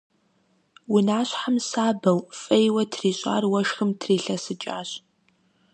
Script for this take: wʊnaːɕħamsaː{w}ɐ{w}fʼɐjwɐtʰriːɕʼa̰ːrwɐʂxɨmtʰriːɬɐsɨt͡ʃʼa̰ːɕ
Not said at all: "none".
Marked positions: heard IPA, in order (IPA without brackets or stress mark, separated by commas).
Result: b, w